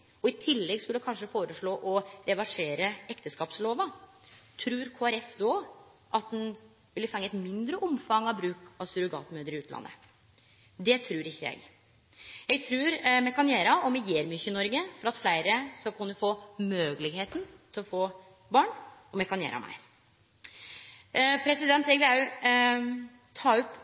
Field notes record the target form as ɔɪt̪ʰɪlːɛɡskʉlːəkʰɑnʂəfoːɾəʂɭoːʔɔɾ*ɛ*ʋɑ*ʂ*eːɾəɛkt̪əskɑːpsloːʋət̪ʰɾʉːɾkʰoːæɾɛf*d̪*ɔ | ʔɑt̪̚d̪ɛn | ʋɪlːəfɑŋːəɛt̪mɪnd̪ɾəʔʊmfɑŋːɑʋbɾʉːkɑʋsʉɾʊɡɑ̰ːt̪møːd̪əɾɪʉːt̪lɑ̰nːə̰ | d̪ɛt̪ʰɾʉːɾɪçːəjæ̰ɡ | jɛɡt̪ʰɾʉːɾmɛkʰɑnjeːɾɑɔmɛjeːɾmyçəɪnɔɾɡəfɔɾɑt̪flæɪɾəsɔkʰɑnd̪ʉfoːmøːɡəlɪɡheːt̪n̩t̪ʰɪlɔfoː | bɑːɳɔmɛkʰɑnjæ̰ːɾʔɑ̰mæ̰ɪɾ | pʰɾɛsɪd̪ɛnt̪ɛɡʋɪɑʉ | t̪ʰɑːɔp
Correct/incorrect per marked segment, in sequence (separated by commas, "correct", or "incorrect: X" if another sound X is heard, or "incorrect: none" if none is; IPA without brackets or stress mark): correct, correct, correct